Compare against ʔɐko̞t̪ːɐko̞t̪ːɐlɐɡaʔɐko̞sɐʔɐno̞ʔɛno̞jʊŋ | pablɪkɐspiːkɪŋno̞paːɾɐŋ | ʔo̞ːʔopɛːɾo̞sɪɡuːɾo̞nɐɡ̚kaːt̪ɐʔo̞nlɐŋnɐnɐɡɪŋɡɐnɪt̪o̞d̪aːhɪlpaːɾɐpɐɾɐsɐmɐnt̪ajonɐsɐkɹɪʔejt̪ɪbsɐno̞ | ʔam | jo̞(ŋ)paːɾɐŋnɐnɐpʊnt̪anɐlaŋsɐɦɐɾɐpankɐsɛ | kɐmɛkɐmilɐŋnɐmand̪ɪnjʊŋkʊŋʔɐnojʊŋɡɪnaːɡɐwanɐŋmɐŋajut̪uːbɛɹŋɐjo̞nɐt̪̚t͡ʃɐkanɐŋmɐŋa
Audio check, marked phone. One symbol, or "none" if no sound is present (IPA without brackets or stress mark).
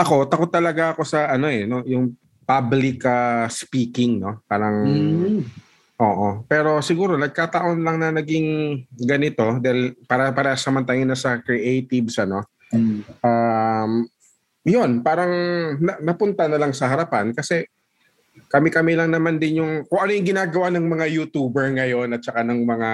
n